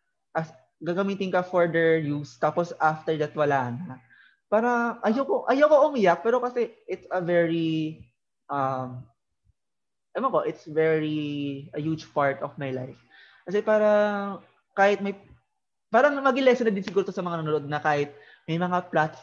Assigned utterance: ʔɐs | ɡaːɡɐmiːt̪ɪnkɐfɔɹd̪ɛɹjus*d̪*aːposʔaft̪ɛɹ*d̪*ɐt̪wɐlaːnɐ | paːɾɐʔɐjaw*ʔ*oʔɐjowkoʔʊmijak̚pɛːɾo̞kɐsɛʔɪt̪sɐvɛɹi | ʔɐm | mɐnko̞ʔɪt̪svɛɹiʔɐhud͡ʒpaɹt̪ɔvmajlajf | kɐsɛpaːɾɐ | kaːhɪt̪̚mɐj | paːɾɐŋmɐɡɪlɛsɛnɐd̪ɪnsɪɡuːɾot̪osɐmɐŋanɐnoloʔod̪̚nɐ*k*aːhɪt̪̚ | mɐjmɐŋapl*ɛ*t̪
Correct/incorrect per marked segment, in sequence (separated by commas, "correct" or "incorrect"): incorrect, correct, incorrect, correct, incorrect